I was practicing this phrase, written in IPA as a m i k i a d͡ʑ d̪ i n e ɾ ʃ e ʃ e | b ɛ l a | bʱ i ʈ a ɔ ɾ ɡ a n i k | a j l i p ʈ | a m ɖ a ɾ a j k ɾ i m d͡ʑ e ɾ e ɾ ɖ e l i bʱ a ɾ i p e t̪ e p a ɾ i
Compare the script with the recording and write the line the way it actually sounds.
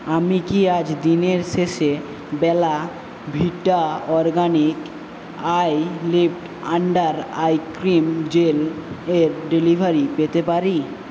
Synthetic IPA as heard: a m i k i a d͡ʑ d̪ i n e ɾ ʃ e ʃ e | b ɛ l a | bʱ i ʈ a ɔ ɾ ɡ a n i k | a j l i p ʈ | a ɳ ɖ a ɾ a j k ɾ i m d͡ʑ e l e ɾ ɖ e l i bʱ a ɾ i p e t̪ e p a ɾ i